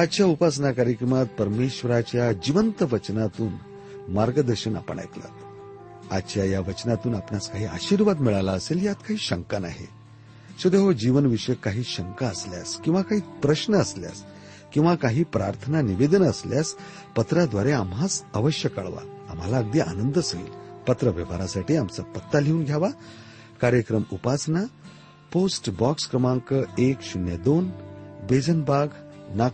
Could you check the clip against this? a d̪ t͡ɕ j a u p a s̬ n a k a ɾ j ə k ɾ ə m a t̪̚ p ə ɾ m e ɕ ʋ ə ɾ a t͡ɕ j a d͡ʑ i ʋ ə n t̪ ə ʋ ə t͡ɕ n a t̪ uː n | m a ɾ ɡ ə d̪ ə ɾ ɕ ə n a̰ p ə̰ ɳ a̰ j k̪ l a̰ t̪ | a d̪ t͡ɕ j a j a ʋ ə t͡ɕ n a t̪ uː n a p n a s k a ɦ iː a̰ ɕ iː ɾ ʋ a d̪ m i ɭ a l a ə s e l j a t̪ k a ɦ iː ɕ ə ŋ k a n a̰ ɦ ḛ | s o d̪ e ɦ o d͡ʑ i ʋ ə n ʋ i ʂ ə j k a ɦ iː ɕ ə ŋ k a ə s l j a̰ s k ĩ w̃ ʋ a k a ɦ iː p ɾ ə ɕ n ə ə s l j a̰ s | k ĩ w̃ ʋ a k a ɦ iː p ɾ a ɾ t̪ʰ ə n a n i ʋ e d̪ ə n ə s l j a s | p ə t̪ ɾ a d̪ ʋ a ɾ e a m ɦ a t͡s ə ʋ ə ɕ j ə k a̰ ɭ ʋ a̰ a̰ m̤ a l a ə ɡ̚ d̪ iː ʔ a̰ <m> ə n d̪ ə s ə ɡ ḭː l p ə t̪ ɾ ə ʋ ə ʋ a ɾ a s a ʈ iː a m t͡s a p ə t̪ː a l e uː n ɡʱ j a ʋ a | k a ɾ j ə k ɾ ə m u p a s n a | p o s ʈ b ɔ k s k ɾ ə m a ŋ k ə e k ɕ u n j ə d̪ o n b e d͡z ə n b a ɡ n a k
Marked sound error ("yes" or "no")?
yes